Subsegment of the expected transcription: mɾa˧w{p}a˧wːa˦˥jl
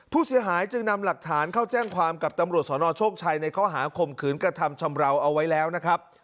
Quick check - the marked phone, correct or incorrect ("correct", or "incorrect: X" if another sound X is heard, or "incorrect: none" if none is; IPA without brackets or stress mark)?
incorrect: ʔ